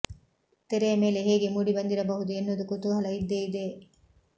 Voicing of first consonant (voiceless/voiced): voiceless